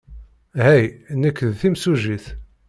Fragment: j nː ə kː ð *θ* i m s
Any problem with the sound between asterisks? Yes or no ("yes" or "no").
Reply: no